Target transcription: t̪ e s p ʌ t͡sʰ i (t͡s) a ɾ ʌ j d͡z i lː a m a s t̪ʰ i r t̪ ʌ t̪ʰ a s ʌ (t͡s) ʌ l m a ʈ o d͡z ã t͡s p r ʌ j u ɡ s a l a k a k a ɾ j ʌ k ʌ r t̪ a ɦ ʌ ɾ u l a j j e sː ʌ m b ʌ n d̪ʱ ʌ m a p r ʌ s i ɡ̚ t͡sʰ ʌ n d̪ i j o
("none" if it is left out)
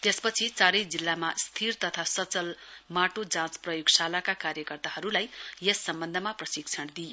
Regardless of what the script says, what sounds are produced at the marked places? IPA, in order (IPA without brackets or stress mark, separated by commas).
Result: t͡s, t͡s